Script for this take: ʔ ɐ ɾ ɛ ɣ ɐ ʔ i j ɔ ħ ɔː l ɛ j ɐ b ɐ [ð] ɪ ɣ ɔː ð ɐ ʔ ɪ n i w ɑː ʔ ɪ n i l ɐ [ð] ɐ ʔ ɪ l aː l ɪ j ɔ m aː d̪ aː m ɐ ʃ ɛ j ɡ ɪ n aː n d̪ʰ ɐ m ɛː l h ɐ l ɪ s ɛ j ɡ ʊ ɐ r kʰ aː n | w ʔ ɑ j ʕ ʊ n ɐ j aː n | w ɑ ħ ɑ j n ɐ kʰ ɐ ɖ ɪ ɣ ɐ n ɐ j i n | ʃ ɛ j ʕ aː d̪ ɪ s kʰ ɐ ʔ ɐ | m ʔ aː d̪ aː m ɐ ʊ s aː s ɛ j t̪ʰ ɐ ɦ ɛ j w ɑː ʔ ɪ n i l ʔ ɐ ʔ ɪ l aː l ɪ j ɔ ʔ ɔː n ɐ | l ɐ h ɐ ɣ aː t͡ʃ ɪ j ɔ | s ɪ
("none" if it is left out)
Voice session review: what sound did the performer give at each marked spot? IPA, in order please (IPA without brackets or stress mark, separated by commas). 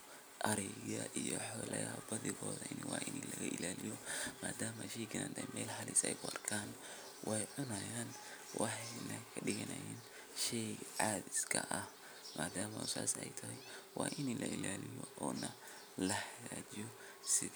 ð, ɣ